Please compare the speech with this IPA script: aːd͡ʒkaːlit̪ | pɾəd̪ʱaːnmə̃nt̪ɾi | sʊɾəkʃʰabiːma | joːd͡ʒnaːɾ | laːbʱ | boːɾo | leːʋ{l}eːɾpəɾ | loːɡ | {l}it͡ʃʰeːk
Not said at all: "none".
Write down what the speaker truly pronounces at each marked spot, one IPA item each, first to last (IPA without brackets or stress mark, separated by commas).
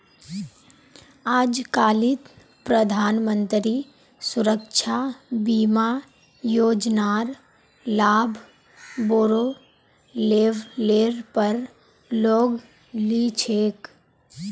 l, l